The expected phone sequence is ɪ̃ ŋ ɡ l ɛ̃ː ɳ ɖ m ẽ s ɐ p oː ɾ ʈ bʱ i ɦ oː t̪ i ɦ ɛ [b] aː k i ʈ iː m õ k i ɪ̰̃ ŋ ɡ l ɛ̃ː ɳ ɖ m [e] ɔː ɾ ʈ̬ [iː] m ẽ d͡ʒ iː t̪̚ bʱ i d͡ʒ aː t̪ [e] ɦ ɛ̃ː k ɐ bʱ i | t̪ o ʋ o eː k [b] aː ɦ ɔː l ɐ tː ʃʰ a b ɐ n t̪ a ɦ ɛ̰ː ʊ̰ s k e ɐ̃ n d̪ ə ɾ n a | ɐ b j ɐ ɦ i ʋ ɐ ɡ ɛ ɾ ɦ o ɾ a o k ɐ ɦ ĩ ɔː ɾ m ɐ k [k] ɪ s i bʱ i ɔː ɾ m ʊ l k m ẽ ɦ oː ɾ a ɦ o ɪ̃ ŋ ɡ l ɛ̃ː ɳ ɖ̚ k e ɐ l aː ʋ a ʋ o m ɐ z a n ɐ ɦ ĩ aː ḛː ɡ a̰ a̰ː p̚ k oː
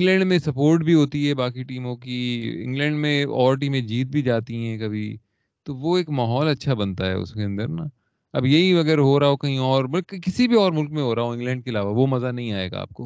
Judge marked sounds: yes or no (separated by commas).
yes, no, yes, no, no, yes